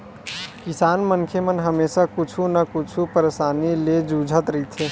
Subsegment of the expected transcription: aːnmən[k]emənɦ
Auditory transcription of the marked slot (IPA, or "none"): kʰ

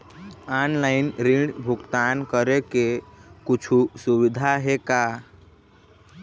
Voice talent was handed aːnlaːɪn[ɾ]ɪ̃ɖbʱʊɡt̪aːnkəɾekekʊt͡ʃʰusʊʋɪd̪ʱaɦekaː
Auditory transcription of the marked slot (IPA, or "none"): ɾ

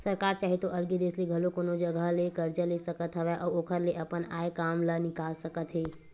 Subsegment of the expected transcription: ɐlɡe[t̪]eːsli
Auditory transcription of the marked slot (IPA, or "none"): d̪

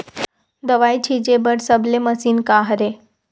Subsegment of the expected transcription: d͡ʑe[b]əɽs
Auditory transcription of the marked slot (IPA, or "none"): b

